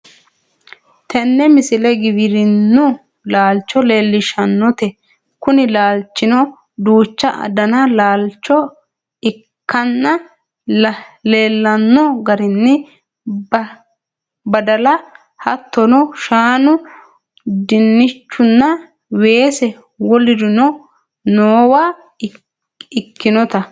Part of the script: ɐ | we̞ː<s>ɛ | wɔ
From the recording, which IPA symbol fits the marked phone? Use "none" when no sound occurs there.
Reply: s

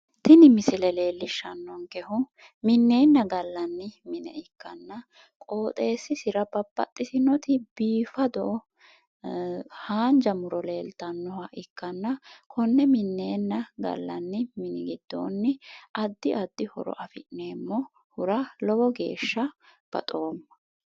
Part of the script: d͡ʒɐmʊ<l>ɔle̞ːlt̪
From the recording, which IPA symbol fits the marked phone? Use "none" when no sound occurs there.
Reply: ɾ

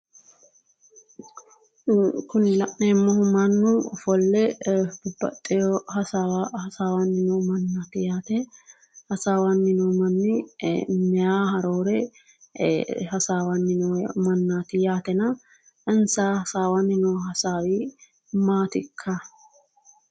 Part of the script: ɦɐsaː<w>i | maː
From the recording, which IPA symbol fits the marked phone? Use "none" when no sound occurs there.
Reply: w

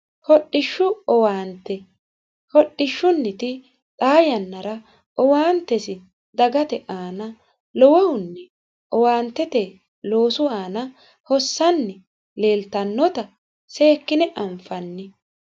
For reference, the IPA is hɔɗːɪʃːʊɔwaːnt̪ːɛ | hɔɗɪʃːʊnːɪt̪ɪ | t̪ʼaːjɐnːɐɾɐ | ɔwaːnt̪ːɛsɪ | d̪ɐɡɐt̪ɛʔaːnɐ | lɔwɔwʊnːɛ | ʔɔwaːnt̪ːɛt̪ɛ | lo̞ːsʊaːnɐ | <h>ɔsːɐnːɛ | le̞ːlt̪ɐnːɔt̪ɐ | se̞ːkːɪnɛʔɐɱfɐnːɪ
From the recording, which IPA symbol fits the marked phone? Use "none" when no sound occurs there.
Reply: h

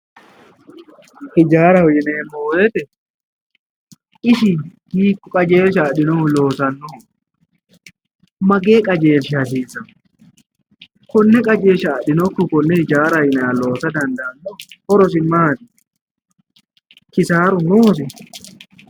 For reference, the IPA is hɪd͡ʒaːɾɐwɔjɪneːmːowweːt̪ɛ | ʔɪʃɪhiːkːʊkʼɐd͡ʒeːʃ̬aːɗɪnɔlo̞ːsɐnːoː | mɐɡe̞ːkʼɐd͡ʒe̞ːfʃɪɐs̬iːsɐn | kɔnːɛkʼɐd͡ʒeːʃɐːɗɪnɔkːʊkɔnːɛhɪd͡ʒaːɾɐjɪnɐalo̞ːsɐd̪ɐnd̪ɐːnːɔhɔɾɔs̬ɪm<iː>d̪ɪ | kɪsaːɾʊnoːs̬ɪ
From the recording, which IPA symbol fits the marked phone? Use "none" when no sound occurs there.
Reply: aː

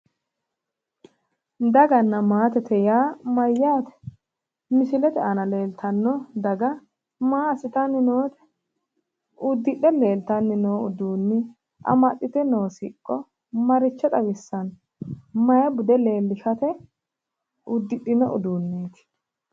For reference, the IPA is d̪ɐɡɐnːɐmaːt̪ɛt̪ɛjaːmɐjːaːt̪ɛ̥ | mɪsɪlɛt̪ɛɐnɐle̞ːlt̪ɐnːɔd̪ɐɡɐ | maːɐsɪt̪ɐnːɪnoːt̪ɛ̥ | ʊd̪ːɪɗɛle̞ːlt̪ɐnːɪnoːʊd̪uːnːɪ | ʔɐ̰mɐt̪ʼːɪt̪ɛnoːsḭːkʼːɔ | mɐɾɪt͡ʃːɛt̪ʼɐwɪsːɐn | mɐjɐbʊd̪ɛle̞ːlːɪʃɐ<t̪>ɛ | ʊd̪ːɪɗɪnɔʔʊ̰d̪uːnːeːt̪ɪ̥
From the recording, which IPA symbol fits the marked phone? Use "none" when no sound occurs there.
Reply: t̪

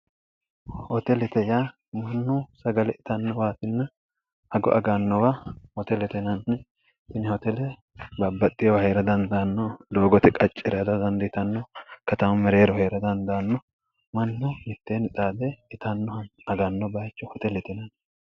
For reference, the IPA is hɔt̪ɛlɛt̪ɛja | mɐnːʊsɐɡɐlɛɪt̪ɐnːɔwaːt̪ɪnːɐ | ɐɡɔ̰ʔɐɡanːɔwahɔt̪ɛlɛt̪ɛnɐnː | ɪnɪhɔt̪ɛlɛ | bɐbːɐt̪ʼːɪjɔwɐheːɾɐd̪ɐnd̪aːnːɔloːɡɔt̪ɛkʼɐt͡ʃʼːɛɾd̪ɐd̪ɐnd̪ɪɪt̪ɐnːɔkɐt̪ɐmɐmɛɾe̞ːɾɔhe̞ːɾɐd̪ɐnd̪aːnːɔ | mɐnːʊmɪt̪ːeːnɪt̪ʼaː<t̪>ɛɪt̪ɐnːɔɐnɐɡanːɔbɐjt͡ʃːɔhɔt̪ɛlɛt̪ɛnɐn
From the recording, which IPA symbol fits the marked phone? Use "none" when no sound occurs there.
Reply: d̪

